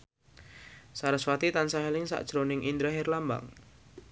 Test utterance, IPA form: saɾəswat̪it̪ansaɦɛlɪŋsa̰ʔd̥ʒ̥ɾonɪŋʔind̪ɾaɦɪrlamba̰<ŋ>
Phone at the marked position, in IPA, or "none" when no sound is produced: ŋ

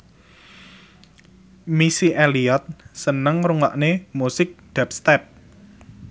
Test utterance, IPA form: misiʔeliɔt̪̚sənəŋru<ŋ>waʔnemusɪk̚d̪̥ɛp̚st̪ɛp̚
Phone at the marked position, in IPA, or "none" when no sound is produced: ŋ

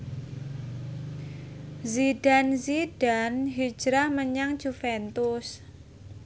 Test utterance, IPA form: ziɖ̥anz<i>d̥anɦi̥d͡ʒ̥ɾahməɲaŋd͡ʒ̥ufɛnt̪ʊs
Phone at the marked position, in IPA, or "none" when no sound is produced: i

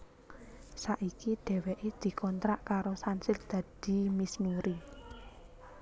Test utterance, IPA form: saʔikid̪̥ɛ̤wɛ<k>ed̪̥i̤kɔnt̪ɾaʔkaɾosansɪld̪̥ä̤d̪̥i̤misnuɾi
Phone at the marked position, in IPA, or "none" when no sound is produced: ʔ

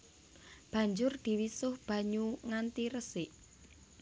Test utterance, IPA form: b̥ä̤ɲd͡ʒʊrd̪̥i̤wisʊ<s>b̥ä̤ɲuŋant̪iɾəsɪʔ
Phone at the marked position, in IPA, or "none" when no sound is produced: h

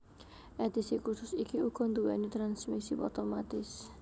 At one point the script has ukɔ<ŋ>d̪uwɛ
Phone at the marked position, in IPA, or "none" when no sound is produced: n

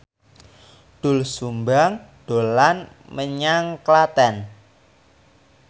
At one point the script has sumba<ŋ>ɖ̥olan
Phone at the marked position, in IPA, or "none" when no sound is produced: ŋ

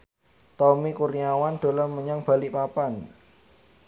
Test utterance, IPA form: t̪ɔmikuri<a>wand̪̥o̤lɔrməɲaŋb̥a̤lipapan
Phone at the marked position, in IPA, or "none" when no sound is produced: a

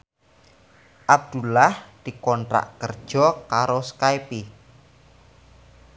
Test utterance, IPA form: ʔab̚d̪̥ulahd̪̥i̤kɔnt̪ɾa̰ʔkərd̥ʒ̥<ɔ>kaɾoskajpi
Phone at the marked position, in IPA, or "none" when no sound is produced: ɔ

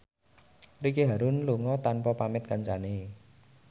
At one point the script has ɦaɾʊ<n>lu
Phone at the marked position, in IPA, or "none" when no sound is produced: n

